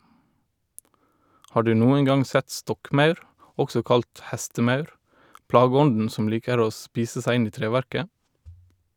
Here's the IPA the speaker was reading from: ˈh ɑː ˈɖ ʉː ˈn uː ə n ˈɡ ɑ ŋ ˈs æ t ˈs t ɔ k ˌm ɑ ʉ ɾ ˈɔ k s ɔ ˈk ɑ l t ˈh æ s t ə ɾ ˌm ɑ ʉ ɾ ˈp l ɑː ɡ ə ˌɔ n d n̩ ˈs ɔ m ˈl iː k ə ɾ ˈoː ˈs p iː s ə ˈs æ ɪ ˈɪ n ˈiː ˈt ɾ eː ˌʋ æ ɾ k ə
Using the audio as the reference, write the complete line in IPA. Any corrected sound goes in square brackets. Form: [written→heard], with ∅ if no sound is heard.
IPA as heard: ˈh ɑː ˈɖ ʉː ˈn uː ə n ˈɡ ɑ ŋ ˈs æ t ˈs t ɔ k ˌm ɑ ʉ ɾ ˈɔ k s ɔ ˈk ɑ l t ˈh æ s t ə [ɾ→∅] ˌm ɑ ʉ ɾ ˈp l ɑː ɡ ə ˌɔ n d n̩ ˈs ɔ m ˈl iː k ə ɾ ˈoː ˈs p iː s ə ˈs æ ɪ ˈɪ n ˈiː ˈt ɾ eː ˌʋ æ ɾ k ə